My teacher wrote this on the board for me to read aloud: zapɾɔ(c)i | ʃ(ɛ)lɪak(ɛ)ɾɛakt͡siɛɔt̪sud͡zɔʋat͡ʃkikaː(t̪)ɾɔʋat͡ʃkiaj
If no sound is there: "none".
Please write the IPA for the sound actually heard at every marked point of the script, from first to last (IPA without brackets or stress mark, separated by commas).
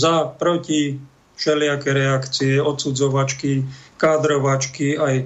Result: c, ɛ, ɛ, d̪